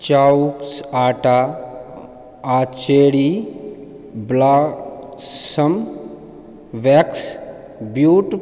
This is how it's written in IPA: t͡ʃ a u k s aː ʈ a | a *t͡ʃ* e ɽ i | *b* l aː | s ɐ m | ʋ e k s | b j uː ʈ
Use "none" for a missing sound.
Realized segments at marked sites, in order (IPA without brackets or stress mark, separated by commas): t͡ʃ, b